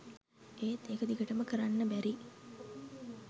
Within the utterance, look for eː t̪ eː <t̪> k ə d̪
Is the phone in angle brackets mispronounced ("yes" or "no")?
yes